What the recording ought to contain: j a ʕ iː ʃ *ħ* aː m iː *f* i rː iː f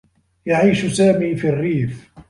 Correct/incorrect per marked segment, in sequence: incorrect, correct

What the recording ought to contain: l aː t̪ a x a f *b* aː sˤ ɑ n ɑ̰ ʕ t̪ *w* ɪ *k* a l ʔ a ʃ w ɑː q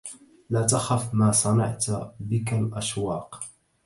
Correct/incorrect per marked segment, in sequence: incorrect, incorrect, correct

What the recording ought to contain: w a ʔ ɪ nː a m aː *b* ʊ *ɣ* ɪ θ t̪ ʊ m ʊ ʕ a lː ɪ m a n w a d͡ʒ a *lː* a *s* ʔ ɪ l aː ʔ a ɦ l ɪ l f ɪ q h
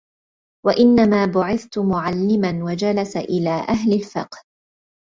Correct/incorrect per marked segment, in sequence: correct, incorrect, incorrect, correct

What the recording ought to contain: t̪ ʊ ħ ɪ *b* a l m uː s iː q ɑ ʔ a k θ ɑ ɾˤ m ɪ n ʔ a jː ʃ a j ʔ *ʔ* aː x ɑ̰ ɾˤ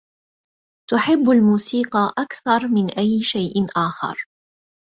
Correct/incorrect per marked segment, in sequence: incorrect, correct

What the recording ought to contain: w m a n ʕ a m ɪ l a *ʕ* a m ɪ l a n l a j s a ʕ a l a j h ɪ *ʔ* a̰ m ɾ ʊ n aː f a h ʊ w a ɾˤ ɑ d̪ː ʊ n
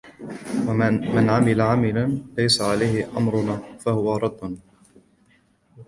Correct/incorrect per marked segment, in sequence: correct, correct

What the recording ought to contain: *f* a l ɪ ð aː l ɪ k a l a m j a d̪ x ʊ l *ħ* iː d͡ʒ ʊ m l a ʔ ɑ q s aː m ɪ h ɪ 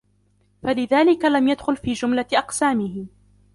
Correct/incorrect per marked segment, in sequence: correct, incorrect

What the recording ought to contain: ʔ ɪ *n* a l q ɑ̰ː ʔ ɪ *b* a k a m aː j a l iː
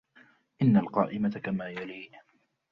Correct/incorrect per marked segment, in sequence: incorrect, incorrect

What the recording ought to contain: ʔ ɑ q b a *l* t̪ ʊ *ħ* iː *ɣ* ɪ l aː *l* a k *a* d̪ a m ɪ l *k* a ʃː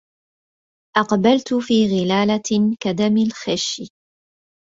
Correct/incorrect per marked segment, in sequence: correct, incorrect, correct, correct, correct, incorrect

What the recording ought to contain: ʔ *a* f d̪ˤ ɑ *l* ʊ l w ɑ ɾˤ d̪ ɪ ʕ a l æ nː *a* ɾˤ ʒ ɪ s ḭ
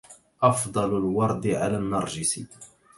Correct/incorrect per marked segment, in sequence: incorrect, correct, incorrect

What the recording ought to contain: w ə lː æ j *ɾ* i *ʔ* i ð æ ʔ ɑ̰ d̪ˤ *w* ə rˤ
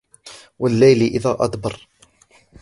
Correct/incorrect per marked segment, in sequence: incorrect, correct, incorrect

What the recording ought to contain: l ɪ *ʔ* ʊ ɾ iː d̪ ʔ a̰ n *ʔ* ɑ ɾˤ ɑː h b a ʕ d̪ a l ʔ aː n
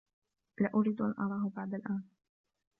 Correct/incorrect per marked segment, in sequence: correct, correct

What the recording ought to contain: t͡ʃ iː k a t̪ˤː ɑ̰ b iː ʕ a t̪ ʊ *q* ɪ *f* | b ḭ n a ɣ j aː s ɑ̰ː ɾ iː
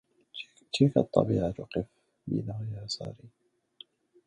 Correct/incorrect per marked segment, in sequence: correct, correct

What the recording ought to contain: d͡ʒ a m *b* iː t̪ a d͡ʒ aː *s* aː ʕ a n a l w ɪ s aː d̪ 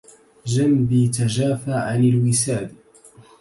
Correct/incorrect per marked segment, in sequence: correct, incorrect

